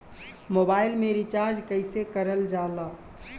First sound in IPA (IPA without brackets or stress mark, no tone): m